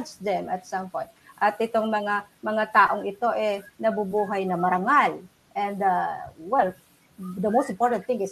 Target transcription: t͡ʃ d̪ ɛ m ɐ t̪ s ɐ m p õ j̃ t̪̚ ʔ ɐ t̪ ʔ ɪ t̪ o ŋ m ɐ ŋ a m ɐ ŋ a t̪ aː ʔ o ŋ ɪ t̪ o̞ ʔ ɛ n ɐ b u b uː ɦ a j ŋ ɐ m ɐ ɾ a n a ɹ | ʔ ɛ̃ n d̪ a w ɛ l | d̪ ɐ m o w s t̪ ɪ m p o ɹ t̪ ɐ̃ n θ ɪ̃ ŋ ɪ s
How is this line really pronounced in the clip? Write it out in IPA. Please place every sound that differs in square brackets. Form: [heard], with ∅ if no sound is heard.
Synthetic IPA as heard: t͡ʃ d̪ ɛ m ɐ t̪ s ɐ m p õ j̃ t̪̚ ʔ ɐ t̪ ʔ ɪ t̪ o ŋ m ɐ ŋ a m ɐ ŋ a t̪ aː ʔ o ŋ ɪ t̪ o̞ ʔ ɛ n ɐ b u b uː ɦ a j [n] ɐ m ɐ ɾ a [ŋ] a [l] | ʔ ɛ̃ n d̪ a w ɛ l | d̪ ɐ m o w s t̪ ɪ m p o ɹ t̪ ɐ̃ n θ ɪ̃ ŋ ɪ s